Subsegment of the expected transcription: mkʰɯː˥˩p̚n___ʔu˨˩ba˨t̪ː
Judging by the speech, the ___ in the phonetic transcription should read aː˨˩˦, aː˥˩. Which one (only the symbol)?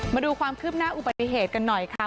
aː˥˩